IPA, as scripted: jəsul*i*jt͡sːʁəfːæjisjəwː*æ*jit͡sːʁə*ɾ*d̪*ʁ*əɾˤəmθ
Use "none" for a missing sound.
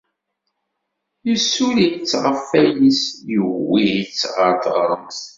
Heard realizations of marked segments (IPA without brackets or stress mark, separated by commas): i, i, ɾ, ʁ